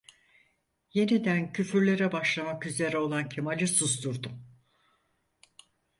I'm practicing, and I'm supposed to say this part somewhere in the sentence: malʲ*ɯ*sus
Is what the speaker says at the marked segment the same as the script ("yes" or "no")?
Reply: yes